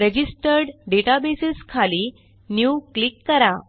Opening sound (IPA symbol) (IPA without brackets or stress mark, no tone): ɾ